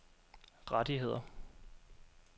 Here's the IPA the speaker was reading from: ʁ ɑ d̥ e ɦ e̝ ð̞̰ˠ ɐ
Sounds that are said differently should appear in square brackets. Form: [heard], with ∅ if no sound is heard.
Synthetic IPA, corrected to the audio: ʁ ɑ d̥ [i] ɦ e̝ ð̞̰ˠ ɐ